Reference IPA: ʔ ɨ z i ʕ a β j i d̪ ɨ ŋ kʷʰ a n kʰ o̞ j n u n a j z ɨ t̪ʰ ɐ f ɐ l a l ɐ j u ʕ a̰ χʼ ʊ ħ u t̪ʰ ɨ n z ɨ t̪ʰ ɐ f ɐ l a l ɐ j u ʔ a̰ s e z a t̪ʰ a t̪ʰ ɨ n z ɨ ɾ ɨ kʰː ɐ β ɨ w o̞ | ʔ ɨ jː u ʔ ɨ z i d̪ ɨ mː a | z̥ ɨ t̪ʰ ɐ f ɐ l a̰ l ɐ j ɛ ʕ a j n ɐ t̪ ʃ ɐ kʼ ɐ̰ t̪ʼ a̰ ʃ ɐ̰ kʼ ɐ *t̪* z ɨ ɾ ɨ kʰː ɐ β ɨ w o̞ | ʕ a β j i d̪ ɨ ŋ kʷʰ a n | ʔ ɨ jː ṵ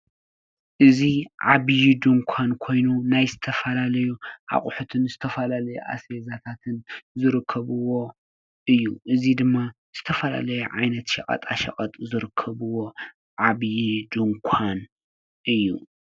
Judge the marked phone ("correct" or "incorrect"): incorrect